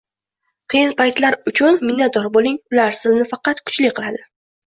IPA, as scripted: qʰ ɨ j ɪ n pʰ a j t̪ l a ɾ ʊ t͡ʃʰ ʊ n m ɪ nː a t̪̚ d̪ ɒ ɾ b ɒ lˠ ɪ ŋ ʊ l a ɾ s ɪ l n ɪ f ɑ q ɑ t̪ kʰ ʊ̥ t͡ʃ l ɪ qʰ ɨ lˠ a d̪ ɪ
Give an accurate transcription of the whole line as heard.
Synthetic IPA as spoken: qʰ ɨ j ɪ n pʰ a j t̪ l a ɾ ʊ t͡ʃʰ ʊ n m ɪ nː a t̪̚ d̪ ɒ ɾ b o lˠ ɪ ŋ ʊ l a ɾ s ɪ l n ɪ f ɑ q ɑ t̪ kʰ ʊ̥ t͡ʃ l ɪ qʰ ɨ lˠ a d̪ ɪ